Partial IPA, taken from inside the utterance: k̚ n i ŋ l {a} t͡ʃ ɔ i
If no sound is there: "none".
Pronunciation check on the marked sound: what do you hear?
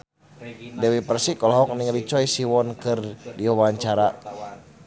i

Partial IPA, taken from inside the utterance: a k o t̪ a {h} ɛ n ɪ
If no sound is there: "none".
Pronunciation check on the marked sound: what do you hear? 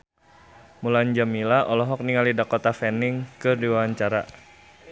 f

